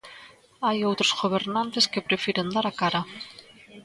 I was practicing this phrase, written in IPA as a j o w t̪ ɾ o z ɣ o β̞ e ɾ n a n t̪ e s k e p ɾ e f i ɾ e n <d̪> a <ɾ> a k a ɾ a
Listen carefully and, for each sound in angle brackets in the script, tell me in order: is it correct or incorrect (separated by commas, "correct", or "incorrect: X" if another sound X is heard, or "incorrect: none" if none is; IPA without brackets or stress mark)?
correct, correct